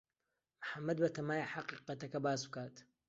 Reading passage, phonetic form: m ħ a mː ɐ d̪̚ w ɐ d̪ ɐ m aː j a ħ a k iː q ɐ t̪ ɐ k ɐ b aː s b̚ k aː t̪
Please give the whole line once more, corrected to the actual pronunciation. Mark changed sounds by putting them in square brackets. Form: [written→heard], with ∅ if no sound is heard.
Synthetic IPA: m ħ a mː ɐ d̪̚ [w→b] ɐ [d̪→t̪] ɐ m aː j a ħ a [k→q] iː q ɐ t̪ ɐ k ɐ b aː s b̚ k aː t̪